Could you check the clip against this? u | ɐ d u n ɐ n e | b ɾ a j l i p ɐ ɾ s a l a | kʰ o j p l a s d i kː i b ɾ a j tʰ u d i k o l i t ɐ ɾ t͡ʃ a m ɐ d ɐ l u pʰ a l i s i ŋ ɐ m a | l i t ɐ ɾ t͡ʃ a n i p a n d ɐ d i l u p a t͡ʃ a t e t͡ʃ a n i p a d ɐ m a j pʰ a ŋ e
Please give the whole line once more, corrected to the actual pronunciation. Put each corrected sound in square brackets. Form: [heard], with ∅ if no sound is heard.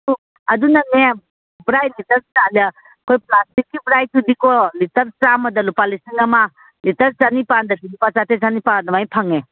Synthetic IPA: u | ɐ d u n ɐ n e | b ɾ a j l i [t] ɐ ɾ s a l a | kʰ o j p l a s [t] i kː i b ɾ a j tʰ u d i k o l i t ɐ ɾ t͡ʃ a m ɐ d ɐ l u [p] a l i s i ŋ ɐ m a | l i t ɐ ɾ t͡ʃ a n i p a n d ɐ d i l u p a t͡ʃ a t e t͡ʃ a n i p a d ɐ m a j pʰ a ŋ e